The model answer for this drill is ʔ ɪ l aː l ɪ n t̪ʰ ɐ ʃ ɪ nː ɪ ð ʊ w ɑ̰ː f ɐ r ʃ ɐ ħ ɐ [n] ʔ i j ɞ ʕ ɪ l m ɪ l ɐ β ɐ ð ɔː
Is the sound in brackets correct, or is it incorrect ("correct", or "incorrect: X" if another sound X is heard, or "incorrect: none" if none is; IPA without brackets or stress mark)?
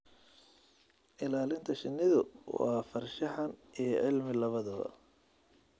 correct